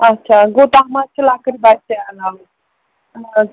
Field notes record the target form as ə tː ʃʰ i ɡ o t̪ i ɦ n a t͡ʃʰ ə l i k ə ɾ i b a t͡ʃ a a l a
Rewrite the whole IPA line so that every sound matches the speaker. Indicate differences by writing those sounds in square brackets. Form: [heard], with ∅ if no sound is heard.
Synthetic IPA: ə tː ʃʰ [a] ɡ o t̪ [a] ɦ [m] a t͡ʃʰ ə l [a] k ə ɾ i b a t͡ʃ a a l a